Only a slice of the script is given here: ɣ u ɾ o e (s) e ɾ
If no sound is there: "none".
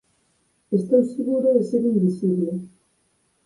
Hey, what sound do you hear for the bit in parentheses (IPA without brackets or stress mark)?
s